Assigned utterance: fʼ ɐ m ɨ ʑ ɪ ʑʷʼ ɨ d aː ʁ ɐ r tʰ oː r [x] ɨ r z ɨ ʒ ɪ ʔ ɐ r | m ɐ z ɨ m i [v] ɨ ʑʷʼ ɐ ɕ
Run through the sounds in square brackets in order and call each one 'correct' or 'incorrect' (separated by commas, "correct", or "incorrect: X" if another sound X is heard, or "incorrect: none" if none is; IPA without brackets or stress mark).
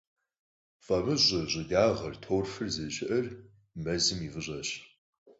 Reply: incorrect: f, correct